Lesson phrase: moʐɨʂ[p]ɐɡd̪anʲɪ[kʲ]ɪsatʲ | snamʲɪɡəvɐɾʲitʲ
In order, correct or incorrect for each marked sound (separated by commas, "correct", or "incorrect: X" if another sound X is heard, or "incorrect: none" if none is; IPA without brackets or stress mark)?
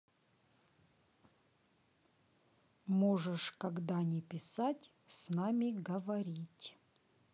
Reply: incorrect: k, incorrect: pʲ